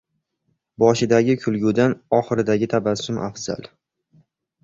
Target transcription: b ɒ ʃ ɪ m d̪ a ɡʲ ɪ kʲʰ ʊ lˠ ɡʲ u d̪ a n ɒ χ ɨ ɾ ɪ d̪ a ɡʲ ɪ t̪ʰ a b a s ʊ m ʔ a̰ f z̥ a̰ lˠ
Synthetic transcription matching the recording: b ɒ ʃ ɪ d̪ a ɡʲ ɪ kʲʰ ʊ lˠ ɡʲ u d̪ a n ɒ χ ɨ ɾ ɪ d̪ a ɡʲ ɪ t̪ʰ a b a s ʊ m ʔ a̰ f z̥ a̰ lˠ

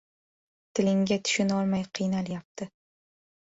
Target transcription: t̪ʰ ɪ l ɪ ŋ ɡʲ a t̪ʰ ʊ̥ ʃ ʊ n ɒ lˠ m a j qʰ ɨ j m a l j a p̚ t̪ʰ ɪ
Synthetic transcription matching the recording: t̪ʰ ɪ l ɪ ŋ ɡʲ a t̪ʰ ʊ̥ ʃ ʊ n ɒ lˠ m a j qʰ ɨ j n a l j a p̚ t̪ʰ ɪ

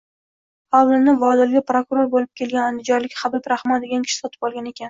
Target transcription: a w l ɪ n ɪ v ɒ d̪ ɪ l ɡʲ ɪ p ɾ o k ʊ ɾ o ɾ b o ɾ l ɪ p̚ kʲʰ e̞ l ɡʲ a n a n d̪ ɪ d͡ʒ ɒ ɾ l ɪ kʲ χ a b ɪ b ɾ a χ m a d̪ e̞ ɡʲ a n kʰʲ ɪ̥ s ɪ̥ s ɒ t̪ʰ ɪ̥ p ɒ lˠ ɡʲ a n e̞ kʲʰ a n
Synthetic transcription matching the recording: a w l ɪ n ɪ v ɒ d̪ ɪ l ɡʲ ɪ p ɾ o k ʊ ɾ o ɾ b o l ɪ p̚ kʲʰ e̞ l ɡʲ a n a n d̪ ɪ d͡ʒ ɒ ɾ l ɪ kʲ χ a b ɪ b ɾ a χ m a d̪ e̞ ɡʲ a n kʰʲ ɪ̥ ʃ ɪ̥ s ɒ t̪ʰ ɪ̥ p ɒ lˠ ɡʲ a n e̞ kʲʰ a n

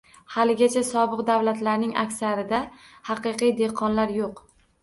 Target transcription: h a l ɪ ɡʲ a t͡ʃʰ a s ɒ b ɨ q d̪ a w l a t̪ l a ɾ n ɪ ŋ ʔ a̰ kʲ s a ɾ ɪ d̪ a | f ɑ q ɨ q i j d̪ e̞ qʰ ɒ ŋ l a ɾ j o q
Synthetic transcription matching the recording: h a l ɪ ɡʲ a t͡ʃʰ a s ɒ b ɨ q d̪ a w l a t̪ l a ɾ n ɪ ŋ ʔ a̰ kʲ s a ɾ ɪ d̪ a | h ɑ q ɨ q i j d̪ e̞ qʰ ɒ n l a ɾ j o q

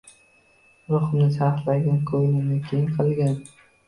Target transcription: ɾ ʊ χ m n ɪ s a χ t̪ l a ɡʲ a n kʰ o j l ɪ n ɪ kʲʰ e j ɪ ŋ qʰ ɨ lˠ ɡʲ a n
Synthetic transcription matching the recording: ɾ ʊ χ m n ɪ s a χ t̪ l a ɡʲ a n kʰ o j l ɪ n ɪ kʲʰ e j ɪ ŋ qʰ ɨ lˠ ɡʲ a n

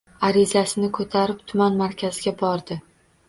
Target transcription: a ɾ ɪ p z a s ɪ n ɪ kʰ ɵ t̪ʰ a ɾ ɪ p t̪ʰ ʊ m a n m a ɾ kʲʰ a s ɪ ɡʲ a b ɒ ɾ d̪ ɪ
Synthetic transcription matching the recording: a ɾ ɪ z a s ɪ n ɪ kʰ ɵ t̪ʰ a ɾ ɪ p t̪ʰ ʊ m a n m a ɾ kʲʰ a z ɪ ɡʲ a b ɒ ɾ d̪ ɪ

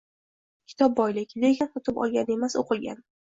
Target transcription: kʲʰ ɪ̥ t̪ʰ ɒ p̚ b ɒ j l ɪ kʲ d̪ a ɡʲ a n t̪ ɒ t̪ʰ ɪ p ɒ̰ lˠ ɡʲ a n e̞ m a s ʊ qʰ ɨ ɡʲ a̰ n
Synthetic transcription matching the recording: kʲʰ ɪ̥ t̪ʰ ɒ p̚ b ɒ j l ɪ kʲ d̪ e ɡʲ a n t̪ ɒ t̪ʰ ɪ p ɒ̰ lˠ ɡʲ a n e̞ m a s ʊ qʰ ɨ ɡʲ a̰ n

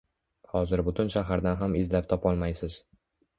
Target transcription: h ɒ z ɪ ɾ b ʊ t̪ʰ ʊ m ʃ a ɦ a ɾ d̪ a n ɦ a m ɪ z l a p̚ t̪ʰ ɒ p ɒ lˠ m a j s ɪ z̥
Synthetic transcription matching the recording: h ɒ z ɪ ɾ b ʊ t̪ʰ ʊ n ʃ a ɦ a ɾ d̪ a n ɦ a m ɪ z l a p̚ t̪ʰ ɒ p ɒ lˠ m a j s ɪ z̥

